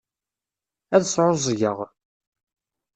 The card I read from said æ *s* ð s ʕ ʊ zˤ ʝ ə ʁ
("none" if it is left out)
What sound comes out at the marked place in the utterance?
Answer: none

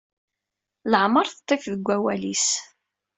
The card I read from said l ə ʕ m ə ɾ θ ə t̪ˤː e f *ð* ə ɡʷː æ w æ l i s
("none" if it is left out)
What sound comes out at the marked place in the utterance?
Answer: ð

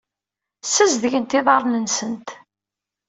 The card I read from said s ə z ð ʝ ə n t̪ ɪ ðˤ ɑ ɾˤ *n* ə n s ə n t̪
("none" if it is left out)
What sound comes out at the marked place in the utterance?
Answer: n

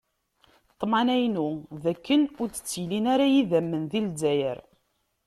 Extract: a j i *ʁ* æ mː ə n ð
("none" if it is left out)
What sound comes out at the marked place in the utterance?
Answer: ð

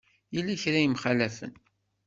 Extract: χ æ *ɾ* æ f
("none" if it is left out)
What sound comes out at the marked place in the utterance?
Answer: l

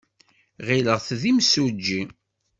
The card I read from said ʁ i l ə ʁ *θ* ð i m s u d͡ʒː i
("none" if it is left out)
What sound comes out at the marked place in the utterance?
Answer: θ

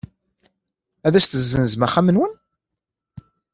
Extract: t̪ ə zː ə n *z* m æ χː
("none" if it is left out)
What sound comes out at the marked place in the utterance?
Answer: z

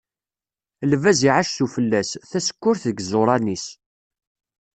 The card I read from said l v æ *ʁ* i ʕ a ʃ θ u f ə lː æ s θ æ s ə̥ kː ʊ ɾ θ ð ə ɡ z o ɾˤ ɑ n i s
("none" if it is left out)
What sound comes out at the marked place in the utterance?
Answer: z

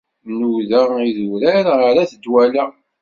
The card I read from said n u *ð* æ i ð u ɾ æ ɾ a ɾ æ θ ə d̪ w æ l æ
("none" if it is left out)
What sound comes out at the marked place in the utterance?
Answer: ð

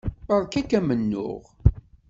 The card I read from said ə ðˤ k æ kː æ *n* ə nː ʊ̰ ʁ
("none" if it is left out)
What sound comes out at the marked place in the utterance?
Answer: m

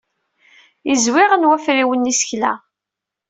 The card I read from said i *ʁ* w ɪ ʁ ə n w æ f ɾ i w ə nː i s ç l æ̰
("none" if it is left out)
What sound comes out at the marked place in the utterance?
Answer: z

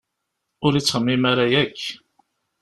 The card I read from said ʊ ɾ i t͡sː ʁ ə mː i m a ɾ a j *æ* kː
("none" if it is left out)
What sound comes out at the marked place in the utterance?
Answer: æ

